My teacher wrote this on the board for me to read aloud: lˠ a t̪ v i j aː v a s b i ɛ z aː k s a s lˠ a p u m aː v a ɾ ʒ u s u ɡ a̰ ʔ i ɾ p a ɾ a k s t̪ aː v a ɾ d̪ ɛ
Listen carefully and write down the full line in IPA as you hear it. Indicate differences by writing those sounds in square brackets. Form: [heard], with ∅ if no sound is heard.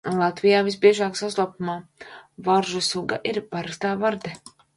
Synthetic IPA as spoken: lˠ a t̪ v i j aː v [i] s b i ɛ [ʒ] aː k s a s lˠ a p u m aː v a ɾ ʒ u s u ɡ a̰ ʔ i ɾ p a ɾ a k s t̪ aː v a ɾ d̪ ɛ